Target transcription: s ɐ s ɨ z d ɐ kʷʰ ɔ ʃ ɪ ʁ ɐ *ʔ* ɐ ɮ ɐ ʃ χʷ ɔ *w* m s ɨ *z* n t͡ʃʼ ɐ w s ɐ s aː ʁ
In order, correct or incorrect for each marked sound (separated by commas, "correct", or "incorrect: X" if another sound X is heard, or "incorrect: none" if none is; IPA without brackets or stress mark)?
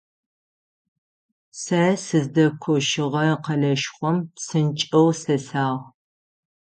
incorrect: q, incorrect: none, incorrect: none